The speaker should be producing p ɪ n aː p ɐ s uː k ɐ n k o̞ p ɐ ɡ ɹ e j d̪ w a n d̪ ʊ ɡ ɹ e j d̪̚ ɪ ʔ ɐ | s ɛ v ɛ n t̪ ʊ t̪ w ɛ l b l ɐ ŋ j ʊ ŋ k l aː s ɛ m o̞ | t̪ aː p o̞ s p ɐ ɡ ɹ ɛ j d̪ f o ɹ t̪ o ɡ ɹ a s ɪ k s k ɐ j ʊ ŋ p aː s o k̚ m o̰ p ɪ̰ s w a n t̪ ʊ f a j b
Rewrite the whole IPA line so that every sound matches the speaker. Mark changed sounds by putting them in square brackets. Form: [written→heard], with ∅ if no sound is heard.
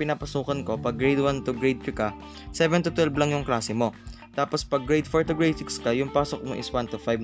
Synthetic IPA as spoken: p ɪ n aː p ɐ s uː k ɐ n k o̞ p ɐ ɡ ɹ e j d̪ w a n [d̪→t̪] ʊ ɡ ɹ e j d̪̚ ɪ [ʔ→k] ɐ | s ɛ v ɛ n t̪ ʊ t̪ w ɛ l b l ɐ ŋ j ʊ ŋ k l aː s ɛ m o̞ | t̪ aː p o̞ s p ɐ ɡ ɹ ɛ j d̪ f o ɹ t̪ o ɡ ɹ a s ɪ k s k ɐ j ʊ ŋ p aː s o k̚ m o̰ [p→ʔ] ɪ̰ s w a n t̪ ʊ f a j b